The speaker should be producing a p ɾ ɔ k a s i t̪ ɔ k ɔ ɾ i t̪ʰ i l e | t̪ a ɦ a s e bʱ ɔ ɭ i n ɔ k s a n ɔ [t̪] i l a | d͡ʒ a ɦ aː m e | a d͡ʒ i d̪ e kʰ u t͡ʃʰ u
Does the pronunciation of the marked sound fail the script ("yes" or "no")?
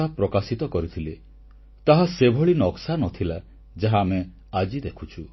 yes